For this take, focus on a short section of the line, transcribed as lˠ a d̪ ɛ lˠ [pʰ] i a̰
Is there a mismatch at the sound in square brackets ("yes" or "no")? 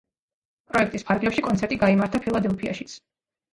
no